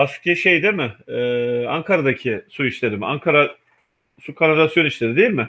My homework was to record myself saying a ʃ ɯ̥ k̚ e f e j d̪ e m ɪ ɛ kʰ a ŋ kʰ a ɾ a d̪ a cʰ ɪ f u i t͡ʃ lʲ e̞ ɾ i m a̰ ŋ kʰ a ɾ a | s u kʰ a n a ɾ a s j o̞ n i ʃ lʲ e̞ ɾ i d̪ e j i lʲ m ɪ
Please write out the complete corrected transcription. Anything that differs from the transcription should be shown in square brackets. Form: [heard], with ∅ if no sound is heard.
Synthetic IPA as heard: a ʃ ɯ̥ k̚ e [ʃ] e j d̪ e m ɪ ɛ [∅] a ŋ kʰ a ɾ a d̪ a cʰ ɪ [s] u i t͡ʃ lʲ e̞ ɾ i m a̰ ŋ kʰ a ɾ a | s u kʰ a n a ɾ a s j o̞ n i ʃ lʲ e̞ ɾ i d̪ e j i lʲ m ɪ